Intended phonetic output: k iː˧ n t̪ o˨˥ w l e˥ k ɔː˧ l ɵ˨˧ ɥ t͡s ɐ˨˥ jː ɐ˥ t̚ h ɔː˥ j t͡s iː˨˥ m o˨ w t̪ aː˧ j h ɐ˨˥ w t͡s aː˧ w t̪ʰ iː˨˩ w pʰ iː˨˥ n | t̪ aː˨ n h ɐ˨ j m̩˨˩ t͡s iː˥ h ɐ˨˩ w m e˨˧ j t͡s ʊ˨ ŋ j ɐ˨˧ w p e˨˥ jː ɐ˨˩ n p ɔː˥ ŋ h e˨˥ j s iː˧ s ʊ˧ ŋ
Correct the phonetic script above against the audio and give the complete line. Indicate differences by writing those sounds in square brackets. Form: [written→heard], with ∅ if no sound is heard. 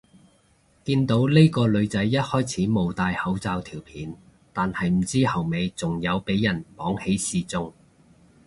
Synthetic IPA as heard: k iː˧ n t̪ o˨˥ w l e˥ k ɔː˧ l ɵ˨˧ ɥ t͡s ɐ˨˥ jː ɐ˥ t̚ h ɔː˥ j [t͡s→t͡sʰ] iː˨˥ m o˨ w t̪ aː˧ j h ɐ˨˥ w t͡s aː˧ w t̪ʰ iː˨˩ w pʰ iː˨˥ n | t̪ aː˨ n h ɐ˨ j m̩˨˩ t͡s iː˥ h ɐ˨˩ w m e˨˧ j t͡s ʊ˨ ŋ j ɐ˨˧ w p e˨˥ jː ɐ˨˩ n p [ɔː˥→ɔː˨˥] ŋ h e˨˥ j s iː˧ [s→t͡s] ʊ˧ ŋ